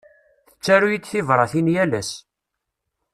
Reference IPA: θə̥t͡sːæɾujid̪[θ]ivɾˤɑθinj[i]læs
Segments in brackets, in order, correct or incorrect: correct, incorrect

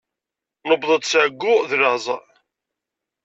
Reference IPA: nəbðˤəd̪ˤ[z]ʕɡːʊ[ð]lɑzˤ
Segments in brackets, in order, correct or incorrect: incorrect, correct

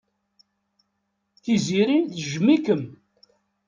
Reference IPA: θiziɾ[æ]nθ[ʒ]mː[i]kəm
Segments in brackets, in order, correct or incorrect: incorrect, correct, correct

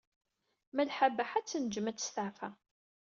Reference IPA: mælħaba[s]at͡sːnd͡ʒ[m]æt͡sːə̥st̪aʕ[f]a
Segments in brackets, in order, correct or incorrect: incorrect, correct, correct

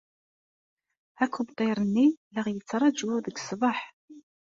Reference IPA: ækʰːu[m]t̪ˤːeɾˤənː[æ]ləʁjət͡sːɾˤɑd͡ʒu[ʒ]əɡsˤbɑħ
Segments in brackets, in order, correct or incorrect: incorrect, incorrect, incorrect

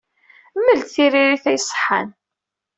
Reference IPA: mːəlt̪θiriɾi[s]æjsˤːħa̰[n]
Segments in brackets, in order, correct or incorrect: incorrect, correct

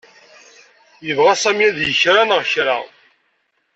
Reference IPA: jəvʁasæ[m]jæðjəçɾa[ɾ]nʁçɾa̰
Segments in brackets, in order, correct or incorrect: correct, incorrect

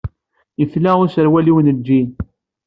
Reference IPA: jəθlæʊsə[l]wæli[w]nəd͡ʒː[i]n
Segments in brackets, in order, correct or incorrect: incorrect, correct, correct

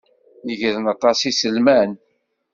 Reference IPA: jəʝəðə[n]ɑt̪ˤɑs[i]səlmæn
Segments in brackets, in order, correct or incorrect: correct, correct

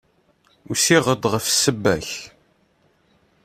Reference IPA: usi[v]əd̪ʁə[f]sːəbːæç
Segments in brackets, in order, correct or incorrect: incorrect, correct

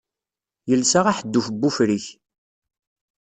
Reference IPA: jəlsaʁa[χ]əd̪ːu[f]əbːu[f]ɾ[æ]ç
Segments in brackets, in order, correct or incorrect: incorrect, correct, correct, incorrect

